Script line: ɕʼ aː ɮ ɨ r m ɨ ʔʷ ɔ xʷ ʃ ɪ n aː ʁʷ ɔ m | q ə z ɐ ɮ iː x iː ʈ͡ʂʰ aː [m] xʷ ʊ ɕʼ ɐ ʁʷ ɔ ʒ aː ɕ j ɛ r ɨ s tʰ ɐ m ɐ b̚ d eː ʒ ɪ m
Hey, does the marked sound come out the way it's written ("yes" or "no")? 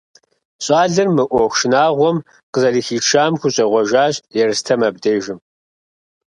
yes